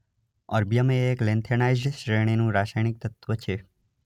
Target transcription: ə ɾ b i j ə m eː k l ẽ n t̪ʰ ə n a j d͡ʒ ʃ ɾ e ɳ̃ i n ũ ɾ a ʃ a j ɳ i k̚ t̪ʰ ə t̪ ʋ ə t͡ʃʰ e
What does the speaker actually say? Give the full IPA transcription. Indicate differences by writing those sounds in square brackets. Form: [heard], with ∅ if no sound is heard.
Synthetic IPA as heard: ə ɾ b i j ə m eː k l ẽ n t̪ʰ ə n a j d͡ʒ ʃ ɾ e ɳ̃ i n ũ ɾ a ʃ a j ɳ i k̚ [t̪] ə t̪ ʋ ə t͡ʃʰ e